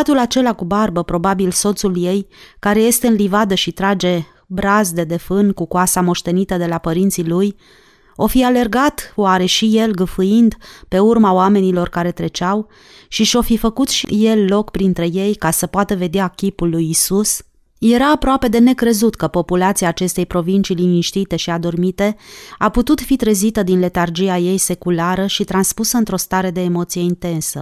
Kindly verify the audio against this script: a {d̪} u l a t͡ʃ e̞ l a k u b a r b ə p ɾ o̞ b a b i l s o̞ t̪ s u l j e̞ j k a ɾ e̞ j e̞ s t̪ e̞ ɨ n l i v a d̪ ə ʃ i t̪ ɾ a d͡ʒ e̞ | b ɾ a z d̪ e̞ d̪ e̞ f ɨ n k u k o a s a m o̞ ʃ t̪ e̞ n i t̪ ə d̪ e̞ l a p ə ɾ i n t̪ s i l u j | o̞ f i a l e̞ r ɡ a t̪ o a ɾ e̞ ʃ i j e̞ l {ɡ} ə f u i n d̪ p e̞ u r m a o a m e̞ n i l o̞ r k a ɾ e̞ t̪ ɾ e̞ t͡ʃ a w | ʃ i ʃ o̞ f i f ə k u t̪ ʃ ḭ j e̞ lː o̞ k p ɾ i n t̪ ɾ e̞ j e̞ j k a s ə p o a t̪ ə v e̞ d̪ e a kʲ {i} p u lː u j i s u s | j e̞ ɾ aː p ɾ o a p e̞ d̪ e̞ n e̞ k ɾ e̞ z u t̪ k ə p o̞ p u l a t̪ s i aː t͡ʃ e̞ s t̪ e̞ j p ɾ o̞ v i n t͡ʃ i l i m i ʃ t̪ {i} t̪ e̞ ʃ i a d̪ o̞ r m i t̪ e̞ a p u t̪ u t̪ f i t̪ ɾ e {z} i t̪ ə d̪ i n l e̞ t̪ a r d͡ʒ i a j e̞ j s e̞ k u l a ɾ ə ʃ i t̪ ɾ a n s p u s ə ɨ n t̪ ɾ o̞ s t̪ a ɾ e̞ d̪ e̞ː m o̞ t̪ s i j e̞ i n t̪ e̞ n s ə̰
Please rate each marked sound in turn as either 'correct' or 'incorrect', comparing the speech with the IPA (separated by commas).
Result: incorrect, correct, correct, correct, correct